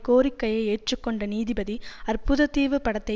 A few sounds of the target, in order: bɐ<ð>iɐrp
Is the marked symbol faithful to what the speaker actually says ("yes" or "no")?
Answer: yes